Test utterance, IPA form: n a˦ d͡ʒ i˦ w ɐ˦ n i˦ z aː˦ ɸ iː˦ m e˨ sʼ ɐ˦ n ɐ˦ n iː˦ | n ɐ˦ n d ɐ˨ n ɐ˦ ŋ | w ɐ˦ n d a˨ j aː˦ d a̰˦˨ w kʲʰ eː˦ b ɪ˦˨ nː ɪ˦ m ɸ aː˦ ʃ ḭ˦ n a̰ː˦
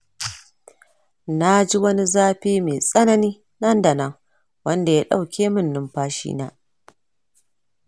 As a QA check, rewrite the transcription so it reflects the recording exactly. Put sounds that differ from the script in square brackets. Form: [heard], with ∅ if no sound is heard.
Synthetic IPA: n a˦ d͡ʒ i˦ w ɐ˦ n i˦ z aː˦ ɸ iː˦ m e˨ sʼ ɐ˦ n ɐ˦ n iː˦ | n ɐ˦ n d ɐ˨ n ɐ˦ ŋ | w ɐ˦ n d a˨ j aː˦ [ɗ] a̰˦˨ w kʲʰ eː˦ [m] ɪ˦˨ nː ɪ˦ m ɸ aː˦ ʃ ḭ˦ n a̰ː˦